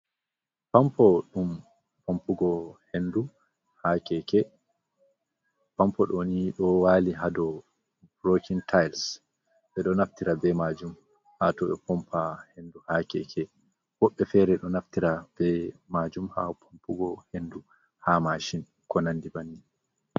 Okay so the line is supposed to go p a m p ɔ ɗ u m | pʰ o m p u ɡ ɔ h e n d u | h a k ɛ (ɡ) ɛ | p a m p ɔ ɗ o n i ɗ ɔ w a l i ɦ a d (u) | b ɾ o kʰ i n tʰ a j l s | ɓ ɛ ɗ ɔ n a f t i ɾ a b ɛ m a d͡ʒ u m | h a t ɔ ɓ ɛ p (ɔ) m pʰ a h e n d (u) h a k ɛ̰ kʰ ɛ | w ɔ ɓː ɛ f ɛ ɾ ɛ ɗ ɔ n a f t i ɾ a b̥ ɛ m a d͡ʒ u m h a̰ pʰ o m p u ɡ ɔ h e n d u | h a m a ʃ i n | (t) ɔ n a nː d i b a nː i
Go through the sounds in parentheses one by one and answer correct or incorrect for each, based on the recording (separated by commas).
incorrect, incorrect, correct, correct, incorrect